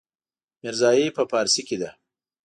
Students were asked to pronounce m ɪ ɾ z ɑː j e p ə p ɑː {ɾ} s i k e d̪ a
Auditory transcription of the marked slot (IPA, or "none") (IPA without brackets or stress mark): ɾ